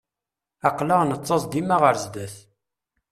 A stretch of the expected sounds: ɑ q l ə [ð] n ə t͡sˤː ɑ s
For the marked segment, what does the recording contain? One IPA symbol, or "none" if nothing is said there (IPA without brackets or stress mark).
ʁ